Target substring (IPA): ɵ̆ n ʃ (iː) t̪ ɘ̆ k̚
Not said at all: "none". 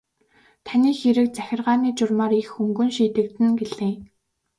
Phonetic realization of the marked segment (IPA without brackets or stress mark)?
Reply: iː